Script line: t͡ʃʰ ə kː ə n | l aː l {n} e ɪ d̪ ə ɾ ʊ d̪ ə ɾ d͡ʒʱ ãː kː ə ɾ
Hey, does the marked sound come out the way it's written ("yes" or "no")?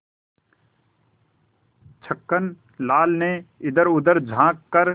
yes